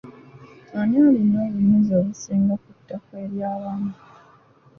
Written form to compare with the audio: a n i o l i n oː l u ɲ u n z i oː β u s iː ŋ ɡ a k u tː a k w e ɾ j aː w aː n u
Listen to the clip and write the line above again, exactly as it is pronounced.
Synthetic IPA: a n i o l i n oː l u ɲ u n z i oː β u s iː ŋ ɡ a k u tː a k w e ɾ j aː β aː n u